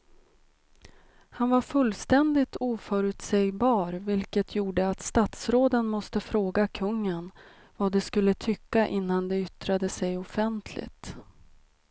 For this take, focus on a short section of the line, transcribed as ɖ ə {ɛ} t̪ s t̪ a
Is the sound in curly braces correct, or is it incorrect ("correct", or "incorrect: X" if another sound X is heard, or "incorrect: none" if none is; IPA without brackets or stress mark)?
incorrect: a